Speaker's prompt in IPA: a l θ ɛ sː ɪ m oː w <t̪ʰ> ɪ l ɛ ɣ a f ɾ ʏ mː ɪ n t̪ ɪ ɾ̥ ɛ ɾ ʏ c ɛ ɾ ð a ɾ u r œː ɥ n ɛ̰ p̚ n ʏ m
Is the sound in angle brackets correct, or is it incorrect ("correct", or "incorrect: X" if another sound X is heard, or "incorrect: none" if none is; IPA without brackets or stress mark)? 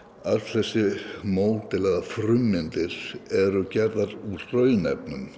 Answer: incorrect: t̪